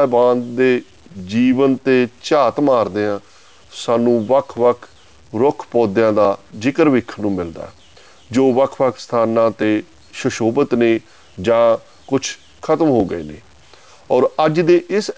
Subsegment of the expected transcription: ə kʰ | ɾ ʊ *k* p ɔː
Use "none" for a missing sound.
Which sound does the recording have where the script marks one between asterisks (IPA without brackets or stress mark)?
kʰ